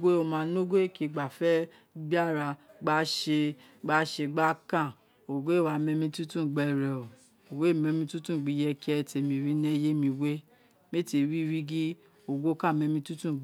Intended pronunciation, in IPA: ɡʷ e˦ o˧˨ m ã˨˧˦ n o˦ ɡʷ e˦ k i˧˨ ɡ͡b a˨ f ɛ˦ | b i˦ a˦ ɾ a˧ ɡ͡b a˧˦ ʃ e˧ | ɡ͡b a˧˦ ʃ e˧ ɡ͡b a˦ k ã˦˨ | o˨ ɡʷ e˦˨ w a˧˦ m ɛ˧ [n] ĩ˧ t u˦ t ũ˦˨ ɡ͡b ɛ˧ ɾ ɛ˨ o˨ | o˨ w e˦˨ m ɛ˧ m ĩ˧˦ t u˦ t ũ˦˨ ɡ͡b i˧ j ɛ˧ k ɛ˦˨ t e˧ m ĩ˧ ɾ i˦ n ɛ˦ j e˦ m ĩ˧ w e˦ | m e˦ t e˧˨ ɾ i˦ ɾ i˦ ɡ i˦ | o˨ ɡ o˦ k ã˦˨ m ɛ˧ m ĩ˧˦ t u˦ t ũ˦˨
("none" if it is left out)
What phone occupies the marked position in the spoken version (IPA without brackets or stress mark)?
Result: m